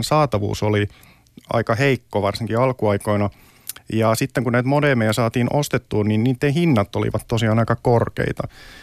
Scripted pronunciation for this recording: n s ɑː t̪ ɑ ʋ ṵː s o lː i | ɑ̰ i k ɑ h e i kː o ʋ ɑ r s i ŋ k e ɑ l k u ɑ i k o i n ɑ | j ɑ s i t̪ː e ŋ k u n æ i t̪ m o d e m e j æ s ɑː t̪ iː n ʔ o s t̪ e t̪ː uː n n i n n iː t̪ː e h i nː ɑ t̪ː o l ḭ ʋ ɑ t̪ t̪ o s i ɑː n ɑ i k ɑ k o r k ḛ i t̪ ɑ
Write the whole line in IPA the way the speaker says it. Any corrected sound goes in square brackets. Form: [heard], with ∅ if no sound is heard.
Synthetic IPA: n s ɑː t̪ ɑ ʋ ṵː s o [l] i | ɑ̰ i k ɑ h e i kː o ʋ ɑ r s i ŋ k [i] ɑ l k u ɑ i k o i n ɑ | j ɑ s i t̪ː e ŋ k u n æ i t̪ m o d e m e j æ s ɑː t̪ iː n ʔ o s t̪ e t̪ː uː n n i n n iː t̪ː e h i nː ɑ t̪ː o l ḭ ʋ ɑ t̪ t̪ o s i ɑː n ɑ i k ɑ k o r k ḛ i t̪ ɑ